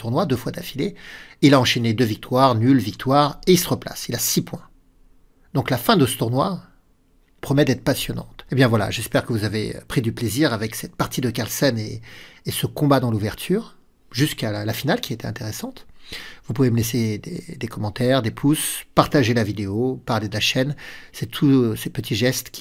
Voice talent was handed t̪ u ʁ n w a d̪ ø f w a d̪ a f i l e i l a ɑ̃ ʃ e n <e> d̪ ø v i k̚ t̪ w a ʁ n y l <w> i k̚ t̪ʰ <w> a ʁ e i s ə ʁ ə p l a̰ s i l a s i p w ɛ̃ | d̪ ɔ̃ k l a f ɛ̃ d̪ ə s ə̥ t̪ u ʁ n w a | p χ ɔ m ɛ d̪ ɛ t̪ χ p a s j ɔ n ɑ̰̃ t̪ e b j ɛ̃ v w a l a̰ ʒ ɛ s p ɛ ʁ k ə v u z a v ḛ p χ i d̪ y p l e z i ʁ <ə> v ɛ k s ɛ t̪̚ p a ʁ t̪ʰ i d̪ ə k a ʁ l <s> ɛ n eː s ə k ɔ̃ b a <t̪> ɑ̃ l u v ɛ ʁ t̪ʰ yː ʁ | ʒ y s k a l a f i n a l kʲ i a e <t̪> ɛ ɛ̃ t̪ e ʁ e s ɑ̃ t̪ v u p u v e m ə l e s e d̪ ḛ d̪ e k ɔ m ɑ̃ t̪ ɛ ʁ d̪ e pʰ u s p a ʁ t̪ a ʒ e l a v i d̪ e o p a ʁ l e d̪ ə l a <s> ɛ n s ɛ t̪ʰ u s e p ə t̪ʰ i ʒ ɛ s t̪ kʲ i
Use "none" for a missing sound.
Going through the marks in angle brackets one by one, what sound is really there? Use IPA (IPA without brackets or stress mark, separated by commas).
e, v, w, a, s, d̪, t̪, ʃ